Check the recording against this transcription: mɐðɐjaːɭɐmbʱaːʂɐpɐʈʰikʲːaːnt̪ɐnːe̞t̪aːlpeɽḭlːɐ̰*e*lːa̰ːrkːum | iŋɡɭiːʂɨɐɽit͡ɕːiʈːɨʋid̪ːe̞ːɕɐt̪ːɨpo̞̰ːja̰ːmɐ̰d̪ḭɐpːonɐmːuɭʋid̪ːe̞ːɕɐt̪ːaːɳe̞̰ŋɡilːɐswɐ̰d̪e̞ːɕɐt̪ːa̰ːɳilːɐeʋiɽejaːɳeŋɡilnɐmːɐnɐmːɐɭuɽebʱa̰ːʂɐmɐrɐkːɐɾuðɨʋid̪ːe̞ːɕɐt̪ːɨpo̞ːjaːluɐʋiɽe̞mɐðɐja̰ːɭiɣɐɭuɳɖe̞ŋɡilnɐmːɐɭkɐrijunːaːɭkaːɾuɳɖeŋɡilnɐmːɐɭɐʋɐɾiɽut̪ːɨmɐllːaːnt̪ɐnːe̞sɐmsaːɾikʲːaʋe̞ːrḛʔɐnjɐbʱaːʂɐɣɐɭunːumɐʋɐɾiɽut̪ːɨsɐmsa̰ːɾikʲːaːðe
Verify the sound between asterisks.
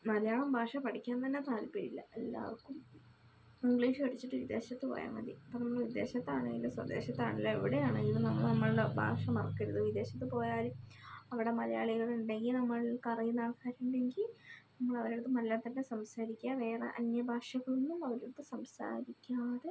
correct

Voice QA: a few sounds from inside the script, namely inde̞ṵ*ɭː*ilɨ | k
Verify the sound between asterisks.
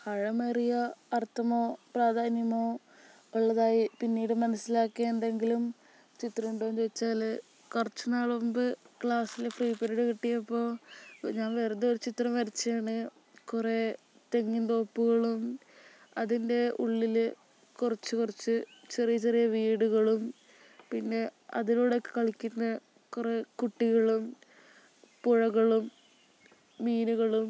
correct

